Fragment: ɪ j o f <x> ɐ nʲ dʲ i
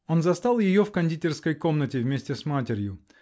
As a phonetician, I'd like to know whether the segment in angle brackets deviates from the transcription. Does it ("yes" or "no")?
yes